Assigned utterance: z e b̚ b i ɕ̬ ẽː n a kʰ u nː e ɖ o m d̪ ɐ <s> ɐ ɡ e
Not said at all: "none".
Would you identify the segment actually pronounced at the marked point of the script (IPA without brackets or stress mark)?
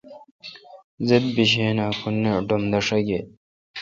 ʂ